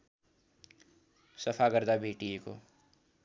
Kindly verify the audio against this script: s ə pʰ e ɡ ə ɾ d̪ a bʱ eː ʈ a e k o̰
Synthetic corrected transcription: s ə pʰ a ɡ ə ɾ d̪ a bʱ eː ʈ i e k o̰